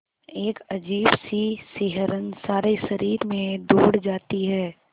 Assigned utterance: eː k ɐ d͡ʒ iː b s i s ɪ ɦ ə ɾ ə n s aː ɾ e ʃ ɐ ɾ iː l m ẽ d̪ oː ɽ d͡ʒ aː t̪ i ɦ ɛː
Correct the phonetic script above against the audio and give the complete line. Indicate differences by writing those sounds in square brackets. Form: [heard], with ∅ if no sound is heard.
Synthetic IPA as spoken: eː k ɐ d͡ʒ iː b s i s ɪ ɦ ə ɾ ə n s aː ɾ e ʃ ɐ ɾ iː [ɾ] m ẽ d̪ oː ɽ d͡ʒ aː t̪ i ɦ ɛː